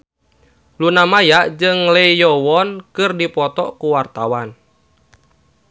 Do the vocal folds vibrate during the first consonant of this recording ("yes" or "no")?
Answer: yes